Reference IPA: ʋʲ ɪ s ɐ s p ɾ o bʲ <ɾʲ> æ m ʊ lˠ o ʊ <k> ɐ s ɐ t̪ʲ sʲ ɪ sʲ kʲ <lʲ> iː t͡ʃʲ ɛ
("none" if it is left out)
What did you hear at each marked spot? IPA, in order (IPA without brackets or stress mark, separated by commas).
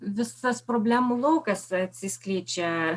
lʲ, k, lʲ